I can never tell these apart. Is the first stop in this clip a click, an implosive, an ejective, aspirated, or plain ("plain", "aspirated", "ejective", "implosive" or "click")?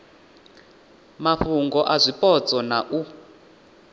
plain